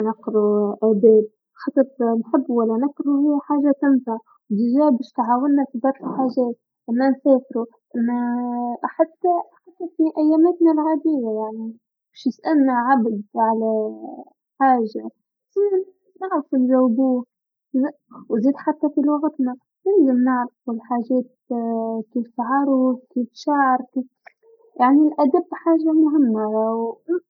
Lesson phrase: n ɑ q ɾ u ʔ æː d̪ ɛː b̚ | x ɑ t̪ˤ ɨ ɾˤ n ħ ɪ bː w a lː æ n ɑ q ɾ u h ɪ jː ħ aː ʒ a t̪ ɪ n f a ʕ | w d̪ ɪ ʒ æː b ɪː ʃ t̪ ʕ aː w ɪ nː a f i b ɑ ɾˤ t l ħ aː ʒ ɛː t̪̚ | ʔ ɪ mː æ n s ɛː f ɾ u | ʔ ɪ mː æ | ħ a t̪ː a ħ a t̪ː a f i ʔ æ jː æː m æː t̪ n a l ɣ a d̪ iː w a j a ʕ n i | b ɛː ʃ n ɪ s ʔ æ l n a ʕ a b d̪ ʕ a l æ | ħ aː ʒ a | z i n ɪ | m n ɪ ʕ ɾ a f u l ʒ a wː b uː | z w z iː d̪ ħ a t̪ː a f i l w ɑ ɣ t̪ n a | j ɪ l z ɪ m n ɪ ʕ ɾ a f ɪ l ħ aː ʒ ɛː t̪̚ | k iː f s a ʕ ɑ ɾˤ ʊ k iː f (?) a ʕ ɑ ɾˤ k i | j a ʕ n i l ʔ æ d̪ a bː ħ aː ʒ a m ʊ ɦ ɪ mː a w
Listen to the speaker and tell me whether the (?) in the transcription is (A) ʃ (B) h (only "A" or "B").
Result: A